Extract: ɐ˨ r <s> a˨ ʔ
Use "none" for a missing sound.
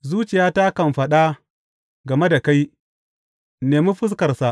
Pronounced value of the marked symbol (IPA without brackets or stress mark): s